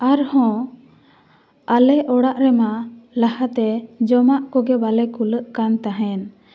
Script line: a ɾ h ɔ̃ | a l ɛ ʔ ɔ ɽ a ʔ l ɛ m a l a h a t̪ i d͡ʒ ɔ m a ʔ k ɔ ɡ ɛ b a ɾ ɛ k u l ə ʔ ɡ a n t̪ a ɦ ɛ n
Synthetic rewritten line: a ɾ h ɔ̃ | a l ɛ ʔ ɔ ɽ a ʔ ɾ ɛ m a l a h a t̪ ɛ d͡ʒ ɔ m a ʔ k ɔ ɡ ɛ b a l ɛ k u l ə ʔ k a n t̪ a ɦ ɛ n